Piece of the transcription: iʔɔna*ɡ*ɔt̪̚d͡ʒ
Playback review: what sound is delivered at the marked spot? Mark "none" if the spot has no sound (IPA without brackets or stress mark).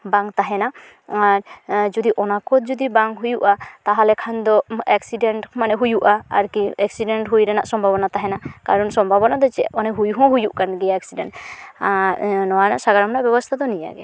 k